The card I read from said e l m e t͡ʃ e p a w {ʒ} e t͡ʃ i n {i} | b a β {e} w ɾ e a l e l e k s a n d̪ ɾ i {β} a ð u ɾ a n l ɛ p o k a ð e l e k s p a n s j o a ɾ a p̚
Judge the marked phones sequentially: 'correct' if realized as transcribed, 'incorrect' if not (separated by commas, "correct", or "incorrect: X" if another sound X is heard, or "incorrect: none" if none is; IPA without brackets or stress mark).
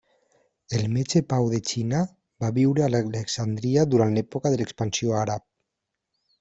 incorrect: ð, incorrect: a, incorrect: i, incorrect: none